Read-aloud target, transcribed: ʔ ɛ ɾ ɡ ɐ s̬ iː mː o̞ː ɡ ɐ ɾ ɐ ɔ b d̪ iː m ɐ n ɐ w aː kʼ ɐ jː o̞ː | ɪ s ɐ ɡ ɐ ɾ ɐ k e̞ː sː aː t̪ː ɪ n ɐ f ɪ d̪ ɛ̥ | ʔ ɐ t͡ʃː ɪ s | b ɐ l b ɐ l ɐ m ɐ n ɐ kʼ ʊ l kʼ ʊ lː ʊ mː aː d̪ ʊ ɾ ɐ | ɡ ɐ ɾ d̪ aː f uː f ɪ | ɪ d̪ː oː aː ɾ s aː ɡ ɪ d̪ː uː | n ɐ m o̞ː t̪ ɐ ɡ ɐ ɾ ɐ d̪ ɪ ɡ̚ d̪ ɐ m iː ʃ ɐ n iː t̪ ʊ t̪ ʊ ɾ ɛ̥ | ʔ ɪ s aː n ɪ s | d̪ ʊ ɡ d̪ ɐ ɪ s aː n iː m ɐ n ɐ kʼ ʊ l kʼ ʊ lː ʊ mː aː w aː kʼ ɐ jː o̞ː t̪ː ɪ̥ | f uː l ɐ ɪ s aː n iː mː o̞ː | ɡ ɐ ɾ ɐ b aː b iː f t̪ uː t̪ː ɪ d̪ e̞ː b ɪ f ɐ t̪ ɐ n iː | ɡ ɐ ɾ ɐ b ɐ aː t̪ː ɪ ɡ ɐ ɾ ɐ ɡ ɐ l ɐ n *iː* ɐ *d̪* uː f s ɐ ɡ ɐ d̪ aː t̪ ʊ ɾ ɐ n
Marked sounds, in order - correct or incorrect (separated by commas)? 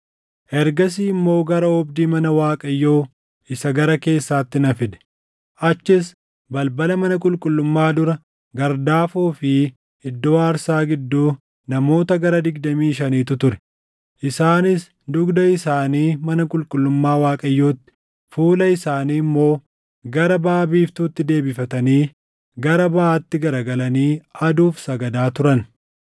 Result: correct, correct